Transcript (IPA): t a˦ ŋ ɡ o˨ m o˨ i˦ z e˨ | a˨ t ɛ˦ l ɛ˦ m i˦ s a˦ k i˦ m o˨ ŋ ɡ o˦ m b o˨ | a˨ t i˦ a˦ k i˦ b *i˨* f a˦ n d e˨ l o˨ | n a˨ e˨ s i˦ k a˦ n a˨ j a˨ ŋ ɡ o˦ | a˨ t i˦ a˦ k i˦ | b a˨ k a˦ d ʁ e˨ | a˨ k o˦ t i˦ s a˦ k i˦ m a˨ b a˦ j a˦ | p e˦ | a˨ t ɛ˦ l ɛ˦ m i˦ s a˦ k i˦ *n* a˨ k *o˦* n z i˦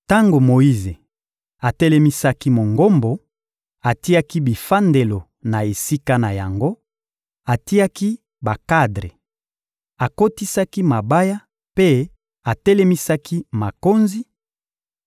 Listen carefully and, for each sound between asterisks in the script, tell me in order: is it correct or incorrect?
correct, incorrect: m, correct

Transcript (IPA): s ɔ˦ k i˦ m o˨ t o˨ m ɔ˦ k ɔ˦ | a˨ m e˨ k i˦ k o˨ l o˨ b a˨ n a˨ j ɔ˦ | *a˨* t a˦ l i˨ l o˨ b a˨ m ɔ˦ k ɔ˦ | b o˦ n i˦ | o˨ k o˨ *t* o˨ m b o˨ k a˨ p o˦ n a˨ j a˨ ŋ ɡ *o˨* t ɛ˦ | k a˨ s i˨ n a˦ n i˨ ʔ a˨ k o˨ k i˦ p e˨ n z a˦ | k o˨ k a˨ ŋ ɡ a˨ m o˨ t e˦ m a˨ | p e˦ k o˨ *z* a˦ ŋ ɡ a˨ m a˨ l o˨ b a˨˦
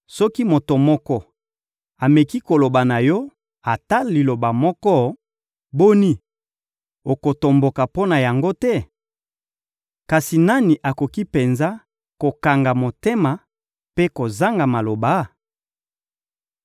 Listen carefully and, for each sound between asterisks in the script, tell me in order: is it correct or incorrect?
correct, correct, incorrect: o˦, correct

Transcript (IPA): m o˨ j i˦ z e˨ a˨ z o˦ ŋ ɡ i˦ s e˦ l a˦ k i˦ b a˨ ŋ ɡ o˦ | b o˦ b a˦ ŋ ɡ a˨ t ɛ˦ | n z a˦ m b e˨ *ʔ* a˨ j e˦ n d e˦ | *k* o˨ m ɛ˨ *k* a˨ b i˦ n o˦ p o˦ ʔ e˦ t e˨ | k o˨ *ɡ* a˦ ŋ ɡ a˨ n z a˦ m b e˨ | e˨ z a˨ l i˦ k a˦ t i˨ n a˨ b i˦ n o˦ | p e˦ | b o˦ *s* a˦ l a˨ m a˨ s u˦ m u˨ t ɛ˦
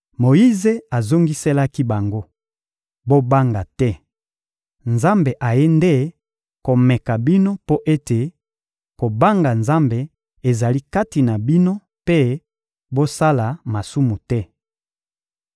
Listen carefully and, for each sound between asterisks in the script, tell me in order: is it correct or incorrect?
correct, correct, correct, incorrect: b, correct

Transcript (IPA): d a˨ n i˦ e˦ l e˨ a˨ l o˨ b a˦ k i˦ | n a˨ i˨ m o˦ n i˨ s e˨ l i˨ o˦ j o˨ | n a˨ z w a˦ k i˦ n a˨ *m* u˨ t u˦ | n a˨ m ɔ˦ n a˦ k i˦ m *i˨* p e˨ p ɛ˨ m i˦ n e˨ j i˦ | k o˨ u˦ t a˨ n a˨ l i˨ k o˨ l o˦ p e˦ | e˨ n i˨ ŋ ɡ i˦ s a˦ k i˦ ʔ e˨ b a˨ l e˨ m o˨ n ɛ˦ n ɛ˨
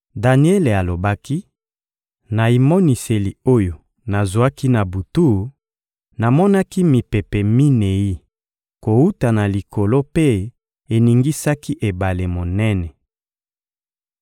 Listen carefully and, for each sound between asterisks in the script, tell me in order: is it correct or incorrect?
incorrect: b, correct

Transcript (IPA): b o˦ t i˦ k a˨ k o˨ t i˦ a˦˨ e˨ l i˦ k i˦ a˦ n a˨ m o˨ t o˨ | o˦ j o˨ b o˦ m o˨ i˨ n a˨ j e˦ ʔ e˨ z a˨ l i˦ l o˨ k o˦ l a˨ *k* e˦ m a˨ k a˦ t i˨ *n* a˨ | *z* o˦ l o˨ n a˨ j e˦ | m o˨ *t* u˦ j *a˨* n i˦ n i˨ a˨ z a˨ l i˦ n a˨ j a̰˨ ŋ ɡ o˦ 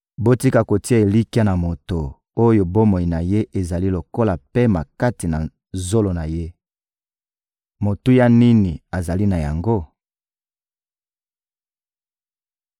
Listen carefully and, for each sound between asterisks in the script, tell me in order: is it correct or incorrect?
incorrect: p, correct, correct, correct, incorrect: a˦

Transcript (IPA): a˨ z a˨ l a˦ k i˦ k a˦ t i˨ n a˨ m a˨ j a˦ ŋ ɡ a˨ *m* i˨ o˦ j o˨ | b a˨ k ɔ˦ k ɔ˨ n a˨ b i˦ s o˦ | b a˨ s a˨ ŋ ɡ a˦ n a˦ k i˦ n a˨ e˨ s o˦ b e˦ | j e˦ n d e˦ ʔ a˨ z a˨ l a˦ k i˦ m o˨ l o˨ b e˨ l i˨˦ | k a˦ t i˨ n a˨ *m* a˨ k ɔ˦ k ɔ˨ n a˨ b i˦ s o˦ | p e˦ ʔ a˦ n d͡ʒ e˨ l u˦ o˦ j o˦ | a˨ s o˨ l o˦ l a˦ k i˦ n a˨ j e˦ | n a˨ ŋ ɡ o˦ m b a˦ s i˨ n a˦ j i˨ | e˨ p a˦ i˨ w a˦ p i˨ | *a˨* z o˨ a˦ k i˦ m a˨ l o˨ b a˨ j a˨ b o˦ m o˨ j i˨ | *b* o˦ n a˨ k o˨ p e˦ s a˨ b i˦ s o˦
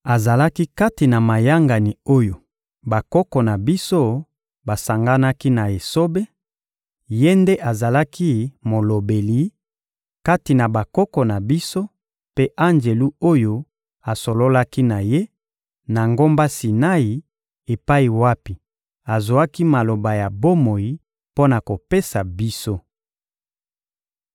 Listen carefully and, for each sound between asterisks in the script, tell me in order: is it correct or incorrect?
incorrect: n, incorrect: b, correct, incorrect: p

